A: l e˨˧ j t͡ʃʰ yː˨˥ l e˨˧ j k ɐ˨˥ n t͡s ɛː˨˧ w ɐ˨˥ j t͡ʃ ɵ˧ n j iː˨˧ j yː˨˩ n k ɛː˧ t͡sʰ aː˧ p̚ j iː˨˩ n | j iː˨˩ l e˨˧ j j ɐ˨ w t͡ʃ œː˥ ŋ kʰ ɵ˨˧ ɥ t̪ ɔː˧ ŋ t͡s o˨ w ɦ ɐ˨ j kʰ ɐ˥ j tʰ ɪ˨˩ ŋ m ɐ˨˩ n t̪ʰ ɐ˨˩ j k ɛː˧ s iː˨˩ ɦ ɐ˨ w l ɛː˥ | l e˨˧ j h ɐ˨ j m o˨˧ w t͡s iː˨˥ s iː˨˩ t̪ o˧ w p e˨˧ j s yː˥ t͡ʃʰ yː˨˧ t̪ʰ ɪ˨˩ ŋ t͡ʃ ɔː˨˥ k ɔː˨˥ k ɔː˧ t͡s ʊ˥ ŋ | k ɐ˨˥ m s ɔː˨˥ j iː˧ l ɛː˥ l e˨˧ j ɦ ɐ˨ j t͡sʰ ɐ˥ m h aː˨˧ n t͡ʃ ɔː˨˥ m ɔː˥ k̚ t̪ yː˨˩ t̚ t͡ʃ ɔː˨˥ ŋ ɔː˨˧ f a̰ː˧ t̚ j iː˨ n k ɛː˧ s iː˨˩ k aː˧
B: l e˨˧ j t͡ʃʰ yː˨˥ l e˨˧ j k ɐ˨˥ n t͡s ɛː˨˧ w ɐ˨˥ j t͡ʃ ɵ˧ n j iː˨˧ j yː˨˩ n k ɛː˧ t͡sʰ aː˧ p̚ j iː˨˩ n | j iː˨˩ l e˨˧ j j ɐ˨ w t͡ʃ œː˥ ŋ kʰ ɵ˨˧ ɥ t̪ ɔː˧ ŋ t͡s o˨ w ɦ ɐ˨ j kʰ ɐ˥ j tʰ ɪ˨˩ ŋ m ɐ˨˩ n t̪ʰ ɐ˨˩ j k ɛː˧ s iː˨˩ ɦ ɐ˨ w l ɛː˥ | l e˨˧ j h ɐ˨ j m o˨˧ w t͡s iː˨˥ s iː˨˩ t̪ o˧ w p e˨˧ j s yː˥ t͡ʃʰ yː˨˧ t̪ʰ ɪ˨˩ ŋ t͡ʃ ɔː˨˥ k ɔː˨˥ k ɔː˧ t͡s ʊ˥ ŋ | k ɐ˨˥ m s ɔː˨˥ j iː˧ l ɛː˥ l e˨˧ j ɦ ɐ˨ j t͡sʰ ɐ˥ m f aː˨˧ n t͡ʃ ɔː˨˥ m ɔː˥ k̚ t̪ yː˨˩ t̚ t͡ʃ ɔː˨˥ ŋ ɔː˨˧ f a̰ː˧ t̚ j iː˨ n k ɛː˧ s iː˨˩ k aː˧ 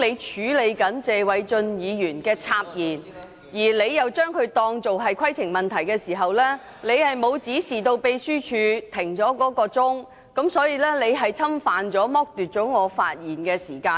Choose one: B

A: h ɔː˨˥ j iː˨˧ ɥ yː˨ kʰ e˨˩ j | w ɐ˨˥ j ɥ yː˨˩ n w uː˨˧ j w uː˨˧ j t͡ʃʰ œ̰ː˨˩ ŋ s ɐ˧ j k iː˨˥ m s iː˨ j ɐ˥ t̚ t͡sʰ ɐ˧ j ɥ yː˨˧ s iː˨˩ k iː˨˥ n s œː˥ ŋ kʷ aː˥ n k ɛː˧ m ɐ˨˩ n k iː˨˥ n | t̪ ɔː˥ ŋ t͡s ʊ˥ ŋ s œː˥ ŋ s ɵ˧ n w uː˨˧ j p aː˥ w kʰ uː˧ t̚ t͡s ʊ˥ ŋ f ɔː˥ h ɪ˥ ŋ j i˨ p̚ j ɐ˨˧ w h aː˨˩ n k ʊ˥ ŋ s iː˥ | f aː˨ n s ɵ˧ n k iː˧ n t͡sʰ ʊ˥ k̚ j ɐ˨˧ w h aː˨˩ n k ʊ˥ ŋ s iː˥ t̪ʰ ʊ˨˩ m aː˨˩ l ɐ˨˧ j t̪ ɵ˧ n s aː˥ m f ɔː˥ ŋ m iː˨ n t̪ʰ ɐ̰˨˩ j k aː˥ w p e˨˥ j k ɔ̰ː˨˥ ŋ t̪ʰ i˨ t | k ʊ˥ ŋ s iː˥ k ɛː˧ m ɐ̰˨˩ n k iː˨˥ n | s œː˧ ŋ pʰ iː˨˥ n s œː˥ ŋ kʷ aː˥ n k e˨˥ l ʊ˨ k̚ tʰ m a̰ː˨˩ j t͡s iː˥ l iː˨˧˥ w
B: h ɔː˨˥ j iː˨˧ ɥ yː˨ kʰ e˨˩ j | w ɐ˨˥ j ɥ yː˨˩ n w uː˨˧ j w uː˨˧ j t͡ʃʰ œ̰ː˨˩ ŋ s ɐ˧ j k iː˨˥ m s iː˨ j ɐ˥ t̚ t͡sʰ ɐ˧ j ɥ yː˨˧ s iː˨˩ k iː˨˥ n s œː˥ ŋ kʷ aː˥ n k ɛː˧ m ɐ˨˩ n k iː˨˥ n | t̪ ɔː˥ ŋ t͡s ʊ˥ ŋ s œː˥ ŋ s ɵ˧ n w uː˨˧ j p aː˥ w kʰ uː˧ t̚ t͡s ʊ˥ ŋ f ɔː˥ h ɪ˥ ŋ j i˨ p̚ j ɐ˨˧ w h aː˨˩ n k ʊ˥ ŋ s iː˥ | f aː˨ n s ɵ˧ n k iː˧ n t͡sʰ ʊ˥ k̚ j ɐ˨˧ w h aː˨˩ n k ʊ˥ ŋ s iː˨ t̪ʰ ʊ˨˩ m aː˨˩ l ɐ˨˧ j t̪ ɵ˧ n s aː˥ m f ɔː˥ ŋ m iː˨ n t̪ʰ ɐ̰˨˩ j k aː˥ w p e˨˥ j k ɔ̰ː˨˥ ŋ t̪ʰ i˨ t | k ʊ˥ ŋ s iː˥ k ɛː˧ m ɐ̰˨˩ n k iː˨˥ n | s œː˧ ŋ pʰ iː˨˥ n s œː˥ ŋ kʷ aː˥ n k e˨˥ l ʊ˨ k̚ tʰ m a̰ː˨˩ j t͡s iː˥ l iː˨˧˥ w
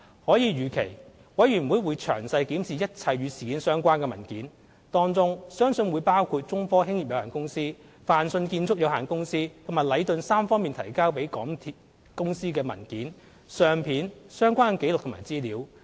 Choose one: A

